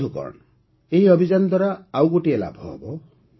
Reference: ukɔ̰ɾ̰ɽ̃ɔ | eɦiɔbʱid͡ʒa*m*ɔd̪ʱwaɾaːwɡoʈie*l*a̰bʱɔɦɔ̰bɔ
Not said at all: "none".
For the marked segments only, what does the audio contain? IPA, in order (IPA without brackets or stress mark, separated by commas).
n, l